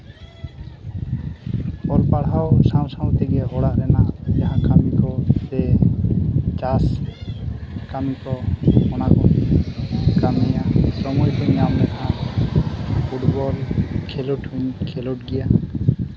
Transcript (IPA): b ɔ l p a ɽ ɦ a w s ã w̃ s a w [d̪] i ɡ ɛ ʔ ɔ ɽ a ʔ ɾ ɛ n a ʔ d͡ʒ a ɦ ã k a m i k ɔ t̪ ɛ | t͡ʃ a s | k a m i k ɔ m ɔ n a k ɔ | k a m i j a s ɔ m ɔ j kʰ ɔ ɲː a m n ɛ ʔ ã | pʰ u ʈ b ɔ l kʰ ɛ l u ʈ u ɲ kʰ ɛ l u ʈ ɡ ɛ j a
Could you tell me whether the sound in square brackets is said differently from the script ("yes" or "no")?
yes